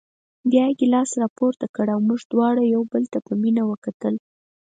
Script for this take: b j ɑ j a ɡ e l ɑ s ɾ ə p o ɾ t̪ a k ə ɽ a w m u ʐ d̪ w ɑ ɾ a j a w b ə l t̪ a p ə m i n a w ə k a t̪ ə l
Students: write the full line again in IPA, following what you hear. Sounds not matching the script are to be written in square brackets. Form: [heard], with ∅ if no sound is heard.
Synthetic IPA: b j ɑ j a ɡ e l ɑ s ɾ [ɑ] p o ɾ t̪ a k ə ɽ a w m u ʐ d̪ w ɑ [ɽ] a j a w b ə l t̪ a p ə m i n a w ə k a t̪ ə l